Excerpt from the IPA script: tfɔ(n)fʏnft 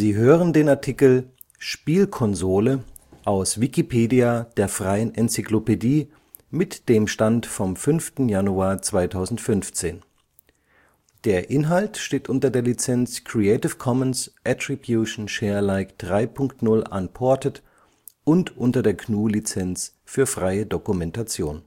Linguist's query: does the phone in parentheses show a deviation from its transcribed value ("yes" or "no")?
yes